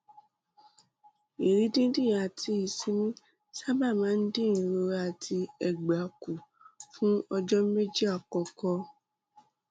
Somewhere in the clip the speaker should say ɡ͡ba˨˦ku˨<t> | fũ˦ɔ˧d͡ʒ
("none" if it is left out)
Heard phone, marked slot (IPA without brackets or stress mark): none